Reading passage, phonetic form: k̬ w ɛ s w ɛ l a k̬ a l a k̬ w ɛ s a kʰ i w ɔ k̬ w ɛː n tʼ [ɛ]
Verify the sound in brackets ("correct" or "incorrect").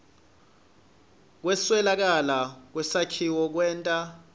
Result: incorrect